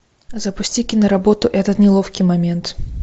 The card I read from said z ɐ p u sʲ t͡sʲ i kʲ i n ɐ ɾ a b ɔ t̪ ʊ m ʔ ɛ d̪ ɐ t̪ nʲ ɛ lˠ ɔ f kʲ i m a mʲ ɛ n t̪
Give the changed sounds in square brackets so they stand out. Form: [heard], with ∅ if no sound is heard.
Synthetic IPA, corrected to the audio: z ɐ p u sʲ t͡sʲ i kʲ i n ɐ ɾ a b ɔ t̪ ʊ [∅] ʔ ɛ [t̪] ɐ t̪ nʲ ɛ lˠ ɔ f kʲ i m a mʲ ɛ n t̪